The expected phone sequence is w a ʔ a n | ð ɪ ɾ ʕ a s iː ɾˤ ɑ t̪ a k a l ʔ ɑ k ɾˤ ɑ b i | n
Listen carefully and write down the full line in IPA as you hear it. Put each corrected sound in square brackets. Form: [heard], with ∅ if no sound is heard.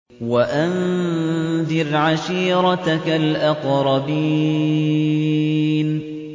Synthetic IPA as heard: w a ʔ a n | ð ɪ ɾ ʕ a [ʃ] iː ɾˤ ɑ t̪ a k a l ʔ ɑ [q] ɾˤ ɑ b i | n

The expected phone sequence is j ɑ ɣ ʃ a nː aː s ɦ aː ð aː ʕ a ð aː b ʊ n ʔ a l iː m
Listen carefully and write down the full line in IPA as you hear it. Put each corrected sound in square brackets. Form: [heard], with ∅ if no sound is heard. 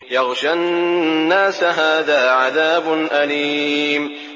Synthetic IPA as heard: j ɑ ɣ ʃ a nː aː s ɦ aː ð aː ʕ a ð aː b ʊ n ʔ a l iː m

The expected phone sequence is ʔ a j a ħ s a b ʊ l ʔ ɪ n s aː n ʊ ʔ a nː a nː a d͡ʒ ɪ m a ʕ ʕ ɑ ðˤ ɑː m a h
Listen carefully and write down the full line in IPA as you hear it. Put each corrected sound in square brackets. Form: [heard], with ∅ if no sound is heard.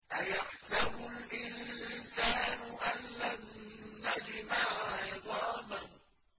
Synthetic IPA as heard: ʔ a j a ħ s a b ʊ l ʔ ɪ n s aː n ʊ ʔ a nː a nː a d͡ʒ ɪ m a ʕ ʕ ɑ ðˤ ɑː m a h

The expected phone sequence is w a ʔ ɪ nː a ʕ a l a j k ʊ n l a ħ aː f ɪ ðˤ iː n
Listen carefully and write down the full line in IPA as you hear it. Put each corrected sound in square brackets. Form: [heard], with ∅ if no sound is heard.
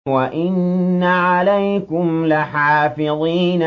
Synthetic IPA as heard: w a ʔ ɪ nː a ʕ a l a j k ʊ [m] l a ħ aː f ɪ ðˤ iː n

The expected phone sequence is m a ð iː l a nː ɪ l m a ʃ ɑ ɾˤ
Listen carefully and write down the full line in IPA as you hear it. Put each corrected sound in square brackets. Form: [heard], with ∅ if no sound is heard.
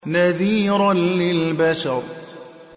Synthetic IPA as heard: [n] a ð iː [ɾ] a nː ɪ l [b] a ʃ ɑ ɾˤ

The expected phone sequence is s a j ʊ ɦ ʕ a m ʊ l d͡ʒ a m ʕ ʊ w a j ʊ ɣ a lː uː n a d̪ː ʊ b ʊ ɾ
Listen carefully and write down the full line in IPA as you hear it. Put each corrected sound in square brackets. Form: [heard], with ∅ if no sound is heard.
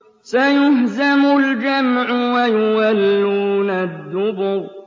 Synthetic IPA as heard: s a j ʊ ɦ [z] a m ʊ l d͡ʒ a m ʕ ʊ w a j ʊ [w] a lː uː n a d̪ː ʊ b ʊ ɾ

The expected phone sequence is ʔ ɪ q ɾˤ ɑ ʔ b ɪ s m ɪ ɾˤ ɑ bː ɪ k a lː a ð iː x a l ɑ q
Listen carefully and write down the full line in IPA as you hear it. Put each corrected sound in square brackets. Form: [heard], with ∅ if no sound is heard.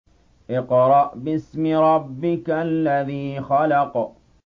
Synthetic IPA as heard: ʔ ɪ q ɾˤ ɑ ʔ b ɪ s m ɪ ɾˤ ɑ bː ɪ k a lː a ð iː x a l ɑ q

